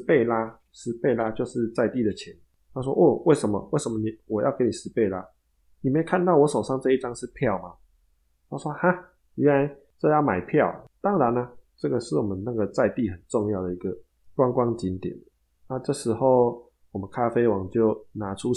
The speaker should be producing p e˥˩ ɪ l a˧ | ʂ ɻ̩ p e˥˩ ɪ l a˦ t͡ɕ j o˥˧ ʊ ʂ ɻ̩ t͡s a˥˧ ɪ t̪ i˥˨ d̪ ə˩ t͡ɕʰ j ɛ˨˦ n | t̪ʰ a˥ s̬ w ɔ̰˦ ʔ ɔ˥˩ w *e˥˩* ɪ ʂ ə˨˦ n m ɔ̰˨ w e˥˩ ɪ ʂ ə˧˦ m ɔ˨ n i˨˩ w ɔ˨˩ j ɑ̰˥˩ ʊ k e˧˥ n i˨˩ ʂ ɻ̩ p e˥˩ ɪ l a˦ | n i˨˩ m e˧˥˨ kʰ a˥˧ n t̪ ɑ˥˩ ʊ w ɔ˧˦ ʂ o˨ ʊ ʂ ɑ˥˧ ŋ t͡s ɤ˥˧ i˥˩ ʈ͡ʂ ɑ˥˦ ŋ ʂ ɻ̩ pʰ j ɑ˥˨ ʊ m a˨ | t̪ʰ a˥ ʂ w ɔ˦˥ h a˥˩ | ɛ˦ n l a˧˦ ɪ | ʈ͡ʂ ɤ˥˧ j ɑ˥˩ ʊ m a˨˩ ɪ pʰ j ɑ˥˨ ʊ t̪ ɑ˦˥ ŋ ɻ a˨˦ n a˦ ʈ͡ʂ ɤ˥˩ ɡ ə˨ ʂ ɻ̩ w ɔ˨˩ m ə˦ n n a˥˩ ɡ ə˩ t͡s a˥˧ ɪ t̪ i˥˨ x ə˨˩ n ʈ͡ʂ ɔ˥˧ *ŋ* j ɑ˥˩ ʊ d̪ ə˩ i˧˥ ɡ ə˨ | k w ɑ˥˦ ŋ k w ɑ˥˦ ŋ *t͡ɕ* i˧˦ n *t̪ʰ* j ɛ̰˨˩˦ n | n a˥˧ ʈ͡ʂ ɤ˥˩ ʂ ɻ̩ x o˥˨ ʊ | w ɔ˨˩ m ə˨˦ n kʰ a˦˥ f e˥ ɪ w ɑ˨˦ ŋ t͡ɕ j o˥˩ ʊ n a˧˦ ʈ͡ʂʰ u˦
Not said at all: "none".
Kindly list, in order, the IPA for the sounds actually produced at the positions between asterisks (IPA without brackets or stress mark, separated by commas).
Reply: e˥˩, ŋ, t͡ɕ, t̪